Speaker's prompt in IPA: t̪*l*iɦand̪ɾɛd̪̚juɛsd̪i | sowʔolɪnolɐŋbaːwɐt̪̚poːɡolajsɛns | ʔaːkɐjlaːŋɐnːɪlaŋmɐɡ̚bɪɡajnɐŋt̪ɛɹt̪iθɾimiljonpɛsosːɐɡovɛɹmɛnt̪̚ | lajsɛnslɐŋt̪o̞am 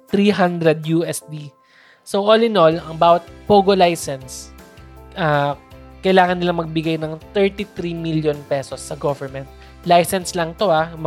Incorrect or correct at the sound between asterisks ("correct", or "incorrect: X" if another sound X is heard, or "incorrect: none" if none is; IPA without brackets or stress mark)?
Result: incorrect: ɾ